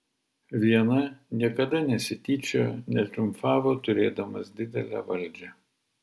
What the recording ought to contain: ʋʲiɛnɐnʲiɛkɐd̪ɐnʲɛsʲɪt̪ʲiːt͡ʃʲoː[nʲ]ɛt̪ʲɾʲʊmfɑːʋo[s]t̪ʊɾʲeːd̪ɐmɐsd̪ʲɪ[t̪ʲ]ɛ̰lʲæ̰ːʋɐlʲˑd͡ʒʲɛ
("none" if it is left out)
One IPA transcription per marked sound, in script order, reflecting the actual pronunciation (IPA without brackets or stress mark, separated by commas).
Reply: nʲ, none, d̪ʲ